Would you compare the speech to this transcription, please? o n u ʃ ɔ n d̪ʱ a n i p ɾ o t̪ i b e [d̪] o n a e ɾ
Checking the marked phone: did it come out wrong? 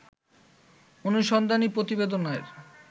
no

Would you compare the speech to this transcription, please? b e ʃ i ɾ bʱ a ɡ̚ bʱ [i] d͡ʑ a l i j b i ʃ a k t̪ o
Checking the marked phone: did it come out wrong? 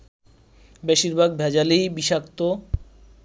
yes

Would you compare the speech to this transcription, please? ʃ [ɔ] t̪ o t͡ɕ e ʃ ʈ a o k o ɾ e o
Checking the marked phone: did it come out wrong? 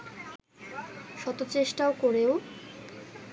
no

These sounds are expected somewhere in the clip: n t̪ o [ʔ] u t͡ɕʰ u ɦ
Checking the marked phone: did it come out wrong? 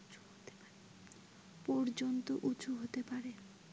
no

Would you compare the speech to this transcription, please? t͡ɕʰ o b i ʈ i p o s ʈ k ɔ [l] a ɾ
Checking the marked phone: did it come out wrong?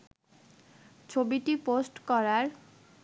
yes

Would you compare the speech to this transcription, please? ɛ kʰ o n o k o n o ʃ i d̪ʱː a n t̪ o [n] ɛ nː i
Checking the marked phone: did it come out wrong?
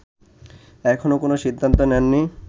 no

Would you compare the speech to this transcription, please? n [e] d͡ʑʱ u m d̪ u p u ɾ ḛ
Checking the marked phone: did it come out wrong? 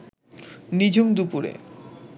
yes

